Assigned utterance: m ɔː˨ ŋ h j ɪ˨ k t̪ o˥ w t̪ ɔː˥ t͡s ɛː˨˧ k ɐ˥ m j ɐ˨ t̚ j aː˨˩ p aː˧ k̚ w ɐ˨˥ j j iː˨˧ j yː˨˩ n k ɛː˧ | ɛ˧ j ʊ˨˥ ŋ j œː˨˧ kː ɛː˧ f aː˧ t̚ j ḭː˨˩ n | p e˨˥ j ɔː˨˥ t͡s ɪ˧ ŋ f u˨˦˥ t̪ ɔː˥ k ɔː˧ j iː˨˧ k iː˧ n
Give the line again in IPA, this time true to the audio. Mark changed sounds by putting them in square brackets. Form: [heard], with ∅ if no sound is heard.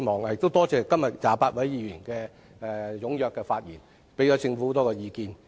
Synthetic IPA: m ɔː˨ ŋ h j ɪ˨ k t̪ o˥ w t̪ ɔː˥ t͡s ɛː˨˧ k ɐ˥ m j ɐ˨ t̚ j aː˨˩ p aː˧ [t̚] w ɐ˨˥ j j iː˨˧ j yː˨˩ n k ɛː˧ | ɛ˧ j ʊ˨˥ ŋ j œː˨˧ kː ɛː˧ f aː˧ t̚ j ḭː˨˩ n | p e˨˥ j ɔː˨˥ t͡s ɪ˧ ŋ f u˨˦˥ t̪ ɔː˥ k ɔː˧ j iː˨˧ k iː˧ n